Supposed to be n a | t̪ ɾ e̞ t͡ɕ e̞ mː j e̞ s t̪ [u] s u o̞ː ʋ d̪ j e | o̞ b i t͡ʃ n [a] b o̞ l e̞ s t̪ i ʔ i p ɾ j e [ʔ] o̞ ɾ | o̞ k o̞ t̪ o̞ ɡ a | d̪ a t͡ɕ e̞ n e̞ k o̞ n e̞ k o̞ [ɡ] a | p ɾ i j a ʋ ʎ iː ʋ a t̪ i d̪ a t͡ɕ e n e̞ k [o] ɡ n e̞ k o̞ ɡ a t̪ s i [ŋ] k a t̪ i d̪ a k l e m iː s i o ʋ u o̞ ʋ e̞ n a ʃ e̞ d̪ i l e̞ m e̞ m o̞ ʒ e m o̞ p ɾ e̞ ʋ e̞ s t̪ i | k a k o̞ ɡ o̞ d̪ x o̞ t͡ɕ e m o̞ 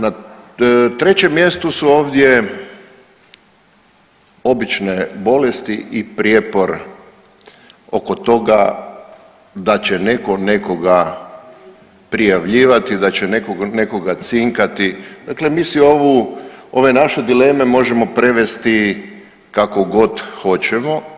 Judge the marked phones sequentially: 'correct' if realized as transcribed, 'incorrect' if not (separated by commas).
correct, incorrect, incorrect, correct, correct, correct